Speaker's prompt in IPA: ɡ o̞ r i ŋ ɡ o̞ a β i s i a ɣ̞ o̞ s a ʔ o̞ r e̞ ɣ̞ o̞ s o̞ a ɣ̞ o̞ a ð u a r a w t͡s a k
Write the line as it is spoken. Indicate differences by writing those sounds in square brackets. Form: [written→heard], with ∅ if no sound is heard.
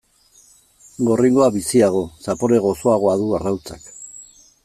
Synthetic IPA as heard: ɡ o̞ r i ŋ ɡ o̞ a β i s i a ɣ̞ o̞ s a [ʔ→p] o̞ [r→ɾ] e̞ ɣ̞ o̞ s o̞ a ɣ̞ o̞ a ð u a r a w t͡s a k